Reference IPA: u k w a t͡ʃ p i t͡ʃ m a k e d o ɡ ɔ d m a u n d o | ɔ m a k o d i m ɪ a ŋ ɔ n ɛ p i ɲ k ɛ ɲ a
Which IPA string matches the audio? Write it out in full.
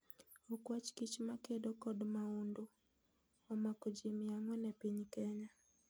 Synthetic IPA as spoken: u k w a t͡ʃ k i t͡ʃ m a k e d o k ɔ d m a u n d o | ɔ m a k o d͡ʒ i m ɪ a ŋ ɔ n ɛ p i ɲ k ɛ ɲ a

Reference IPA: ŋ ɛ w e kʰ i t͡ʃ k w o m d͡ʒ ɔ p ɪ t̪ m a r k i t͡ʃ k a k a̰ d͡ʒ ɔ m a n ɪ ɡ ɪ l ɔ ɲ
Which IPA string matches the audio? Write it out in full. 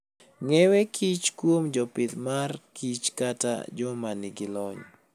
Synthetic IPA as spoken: ŋ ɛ w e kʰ i t͡ʃ k w o m d͡ʒ ɔ p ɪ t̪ m a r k i t͡ʃ k a t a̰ d͡ʒ ɔ m a n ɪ ɡ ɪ l ɔ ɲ

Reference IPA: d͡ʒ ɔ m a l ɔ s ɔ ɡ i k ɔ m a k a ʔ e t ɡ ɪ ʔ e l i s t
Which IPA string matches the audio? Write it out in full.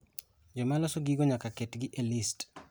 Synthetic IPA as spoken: d͡ʒ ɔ m a l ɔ s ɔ ɡ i ɡ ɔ ɲ a k a k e t ɡ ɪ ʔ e l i s t

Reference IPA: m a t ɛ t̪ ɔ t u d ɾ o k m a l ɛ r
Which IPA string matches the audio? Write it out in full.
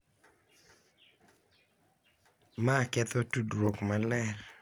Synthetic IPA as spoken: m a k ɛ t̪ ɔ t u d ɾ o k m a l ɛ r

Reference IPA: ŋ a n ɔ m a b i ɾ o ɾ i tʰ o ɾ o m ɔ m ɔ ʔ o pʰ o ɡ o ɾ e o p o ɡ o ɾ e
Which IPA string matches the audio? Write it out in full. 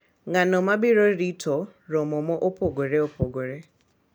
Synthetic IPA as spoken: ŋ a n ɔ m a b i ɾ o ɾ i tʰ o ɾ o m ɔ m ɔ ʔ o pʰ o ɡ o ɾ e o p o ɡ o ɾ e

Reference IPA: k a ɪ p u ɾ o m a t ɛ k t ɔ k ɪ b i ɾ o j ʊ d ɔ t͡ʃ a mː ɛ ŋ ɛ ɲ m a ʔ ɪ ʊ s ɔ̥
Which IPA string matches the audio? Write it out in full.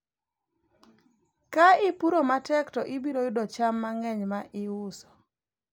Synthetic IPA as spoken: k a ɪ p u ɾ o m a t ɛ k t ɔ ʔ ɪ b i ɾ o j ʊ d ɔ t͡ʃ a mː a ŋ ɛ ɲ m a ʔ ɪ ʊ s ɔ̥

